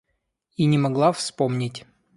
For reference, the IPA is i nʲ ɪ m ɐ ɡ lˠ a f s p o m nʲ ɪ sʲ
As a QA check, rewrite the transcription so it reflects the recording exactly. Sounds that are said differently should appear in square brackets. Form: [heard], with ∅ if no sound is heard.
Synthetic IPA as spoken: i nʲ ɪ m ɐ ɡ lˠ a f s p o m nʲ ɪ [tʲ]